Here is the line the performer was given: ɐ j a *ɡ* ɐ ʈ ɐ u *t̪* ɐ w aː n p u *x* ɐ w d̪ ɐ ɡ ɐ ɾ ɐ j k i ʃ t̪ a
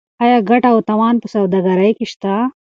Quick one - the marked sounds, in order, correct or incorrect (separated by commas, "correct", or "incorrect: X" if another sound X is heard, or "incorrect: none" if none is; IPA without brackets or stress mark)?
correct, correct, incorrect: s